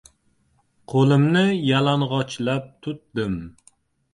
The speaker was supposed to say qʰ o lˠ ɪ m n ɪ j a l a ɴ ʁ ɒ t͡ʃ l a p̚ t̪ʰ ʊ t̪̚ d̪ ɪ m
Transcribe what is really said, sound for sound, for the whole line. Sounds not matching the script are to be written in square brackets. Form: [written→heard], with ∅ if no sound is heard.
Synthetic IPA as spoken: qʰ o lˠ ɪ m n ɪ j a l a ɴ ʁ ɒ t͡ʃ l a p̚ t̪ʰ ʊ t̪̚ d̪ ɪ m